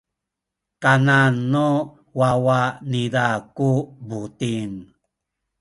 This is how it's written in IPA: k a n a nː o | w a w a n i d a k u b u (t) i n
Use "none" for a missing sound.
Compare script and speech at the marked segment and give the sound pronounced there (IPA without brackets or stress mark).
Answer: t